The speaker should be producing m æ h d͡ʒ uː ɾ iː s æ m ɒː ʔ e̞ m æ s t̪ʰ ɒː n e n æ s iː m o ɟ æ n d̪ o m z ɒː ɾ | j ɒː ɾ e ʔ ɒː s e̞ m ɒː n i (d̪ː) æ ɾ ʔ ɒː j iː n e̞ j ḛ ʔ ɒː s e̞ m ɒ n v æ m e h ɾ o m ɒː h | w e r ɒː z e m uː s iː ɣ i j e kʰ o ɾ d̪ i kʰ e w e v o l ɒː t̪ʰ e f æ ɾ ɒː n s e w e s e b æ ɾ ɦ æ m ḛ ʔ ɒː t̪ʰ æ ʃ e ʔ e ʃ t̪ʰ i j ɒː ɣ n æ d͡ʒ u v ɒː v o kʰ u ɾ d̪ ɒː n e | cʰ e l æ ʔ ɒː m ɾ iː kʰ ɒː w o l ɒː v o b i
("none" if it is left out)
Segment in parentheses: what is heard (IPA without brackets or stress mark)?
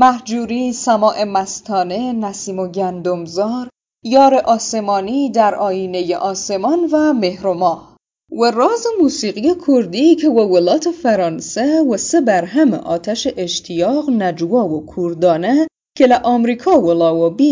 d̪